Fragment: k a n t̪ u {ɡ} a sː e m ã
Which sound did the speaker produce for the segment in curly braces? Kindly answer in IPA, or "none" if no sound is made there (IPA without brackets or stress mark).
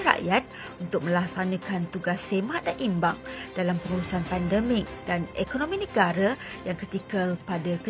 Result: ɡ